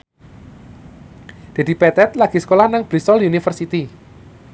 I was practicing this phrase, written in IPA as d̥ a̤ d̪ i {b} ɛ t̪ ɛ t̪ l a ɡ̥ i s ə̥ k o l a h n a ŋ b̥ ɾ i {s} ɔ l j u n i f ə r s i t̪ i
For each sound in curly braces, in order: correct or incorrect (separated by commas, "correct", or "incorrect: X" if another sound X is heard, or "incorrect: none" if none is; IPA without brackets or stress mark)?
incorrect: p, correct